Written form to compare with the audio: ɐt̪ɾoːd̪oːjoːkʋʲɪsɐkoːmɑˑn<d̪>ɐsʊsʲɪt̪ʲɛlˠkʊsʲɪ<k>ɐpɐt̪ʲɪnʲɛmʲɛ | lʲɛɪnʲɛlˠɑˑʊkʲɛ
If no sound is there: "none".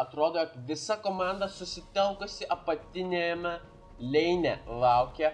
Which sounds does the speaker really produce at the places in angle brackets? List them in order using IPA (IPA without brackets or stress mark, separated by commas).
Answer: d̪, ʔ